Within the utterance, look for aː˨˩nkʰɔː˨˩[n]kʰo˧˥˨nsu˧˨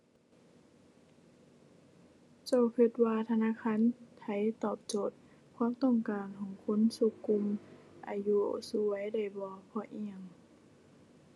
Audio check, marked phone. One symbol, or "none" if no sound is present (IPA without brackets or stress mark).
ŋ